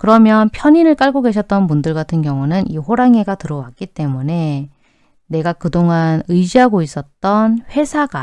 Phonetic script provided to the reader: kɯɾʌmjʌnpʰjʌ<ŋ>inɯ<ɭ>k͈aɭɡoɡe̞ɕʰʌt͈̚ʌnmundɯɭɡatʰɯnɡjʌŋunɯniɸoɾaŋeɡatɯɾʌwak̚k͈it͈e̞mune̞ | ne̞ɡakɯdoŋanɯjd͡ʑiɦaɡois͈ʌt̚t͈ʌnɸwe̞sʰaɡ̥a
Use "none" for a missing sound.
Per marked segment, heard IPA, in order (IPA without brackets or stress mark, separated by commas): ɲ, ɭ